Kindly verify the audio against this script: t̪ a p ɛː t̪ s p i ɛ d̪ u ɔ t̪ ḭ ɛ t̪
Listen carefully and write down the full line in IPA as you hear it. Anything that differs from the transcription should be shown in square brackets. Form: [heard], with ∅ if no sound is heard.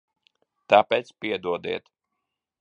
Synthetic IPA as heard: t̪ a p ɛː t̪ s p i ɛ d̪ u ɔ [d̪] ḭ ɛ t̪